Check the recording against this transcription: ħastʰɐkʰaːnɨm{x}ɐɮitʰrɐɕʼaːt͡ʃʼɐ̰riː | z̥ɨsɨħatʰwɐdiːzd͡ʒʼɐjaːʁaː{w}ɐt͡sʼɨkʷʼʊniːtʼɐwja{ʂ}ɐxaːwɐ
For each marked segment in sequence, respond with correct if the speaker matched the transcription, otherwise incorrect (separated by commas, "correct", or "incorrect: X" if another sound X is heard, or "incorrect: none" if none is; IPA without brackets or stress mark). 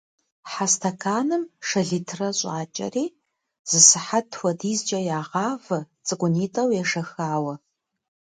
incorrect: ʂ, incorrect: v, correct